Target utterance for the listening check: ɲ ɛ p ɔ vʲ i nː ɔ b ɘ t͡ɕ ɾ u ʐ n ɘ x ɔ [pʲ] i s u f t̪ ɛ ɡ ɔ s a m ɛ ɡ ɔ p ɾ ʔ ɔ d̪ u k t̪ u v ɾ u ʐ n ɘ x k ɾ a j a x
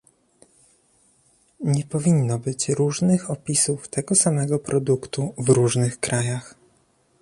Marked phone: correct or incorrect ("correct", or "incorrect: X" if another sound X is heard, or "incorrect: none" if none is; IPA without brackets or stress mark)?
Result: correct